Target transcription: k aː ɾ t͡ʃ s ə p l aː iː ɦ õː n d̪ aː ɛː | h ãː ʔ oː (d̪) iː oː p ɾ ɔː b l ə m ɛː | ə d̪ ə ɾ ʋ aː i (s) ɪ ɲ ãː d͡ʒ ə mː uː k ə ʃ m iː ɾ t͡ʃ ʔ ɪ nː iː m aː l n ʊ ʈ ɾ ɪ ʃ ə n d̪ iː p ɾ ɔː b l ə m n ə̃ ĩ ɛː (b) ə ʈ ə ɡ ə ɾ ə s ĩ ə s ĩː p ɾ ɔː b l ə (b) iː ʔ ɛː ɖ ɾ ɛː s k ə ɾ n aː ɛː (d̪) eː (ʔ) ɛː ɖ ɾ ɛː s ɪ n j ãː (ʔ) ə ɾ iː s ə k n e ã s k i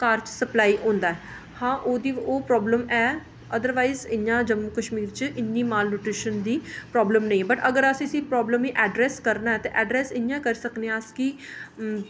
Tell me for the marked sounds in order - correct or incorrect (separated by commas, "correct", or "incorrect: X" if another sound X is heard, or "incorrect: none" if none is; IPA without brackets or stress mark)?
correct, incorrect: z, correct, incorrect: m, incorrect: t̪, correct, incorrect: k